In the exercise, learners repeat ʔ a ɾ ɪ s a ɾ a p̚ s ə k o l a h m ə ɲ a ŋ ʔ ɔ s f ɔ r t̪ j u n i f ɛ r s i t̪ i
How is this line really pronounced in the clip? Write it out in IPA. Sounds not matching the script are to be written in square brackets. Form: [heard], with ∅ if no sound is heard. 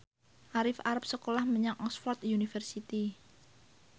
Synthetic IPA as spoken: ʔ a ɾ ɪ [f] a ɾ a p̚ s ə k o l a h m ə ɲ a ŋ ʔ ɔ s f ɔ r t̪ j u n i f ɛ r s i t̪ i